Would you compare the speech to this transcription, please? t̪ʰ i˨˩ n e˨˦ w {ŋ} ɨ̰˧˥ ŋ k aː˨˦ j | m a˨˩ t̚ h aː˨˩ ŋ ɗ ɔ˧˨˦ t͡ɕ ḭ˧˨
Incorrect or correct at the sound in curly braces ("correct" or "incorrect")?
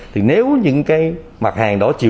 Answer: incorrect